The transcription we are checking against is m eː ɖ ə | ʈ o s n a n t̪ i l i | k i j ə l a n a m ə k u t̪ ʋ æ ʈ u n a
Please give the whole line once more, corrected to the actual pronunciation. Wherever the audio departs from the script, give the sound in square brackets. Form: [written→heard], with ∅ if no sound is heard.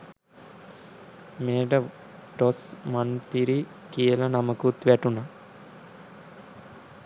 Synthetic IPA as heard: m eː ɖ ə | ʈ o s [n→m] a n t̪ i [l→ɾ] i | k i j ə l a n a m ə k u t̪ ʋ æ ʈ u n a